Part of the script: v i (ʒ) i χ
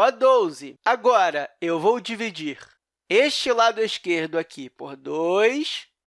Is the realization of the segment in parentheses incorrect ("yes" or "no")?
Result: yes